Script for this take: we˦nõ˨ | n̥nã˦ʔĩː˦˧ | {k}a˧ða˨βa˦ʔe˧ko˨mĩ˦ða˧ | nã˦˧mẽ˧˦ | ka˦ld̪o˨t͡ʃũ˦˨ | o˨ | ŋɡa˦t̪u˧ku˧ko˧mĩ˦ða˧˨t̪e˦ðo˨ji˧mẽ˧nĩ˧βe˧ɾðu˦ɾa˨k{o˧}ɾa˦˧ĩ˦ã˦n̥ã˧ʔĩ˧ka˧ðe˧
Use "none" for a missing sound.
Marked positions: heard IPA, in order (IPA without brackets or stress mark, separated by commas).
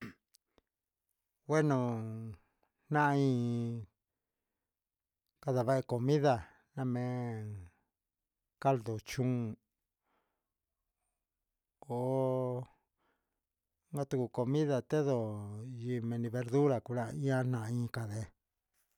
k, u˧